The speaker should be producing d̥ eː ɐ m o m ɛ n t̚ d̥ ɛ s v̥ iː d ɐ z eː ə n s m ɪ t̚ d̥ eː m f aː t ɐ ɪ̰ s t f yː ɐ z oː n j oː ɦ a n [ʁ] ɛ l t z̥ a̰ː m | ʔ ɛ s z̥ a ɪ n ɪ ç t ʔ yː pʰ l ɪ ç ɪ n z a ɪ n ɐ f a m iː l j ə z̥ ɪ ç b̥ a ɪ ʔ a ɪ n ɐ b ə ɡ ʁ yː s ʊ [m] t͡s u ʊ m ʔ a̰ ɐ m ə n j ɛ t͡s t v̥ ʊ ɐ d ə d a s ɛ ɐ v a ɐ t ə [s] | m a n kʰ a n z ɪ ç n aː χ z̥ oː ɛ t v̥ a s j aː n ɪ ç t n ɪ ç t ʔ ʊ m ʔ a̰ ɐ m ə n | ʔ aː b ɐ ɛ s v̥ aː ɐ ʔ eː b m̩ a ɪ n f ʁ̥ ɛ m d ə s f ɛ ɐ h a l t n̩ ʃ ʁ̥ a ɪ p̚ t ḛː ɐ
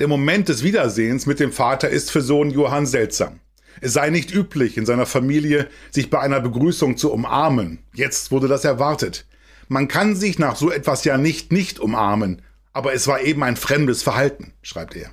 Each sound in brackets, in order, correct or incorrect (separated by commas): incorrect, incorrect, incorrect